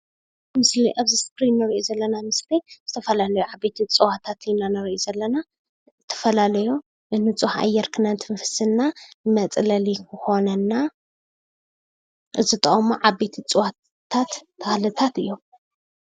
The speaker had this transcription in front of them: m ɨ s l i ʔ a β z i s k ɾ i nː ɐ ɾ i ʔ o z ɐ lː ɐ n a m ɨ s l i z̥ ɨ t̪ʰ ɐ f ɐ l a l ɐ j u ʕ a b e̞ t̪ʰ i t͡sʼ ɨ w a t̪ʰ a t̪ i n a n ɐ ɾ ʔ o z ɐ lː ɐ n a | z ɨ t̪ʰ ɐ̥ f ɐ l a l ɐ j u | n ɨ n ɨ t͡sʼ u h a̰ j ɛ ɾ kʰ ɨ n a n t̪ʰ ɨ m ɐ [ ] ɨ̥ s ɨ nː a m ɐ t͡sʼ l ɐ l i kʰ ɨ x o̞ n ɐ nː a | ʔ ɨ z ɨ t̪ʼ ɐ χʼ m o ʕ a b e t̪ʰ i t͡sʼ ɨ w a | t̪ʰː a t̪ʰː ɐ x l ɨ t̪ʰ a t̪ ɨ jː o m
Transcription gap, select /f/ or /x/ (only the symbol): f